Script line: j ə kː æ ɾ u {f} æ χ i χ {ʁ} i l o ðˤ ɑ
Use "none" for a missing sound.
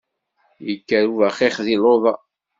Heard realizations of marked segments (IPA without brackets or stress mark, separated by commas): v, ð